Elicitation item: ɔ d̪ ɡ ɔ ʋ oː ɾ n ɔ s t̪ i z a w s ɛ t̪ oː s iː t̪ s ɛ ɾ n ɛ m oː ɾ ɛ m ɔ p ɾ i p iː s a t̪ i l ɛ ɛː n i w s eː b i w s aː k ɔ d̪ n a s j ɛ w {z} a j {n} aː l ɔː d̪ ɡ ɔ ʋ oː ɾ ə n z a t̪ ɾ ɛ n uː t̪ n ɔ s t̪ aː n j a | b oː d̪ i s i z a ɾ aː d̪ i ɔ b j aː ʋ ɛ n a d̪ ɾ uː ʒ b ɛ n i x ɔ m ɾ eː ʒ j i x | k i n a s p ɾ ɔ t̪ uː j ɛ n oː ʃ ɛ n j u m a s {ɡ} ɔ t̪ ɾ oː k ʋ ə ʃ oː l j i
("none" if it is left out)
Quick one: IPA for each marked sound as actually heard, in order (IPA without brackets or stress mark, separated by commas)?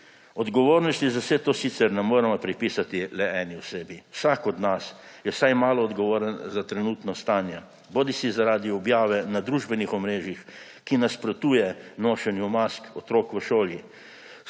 s, m, k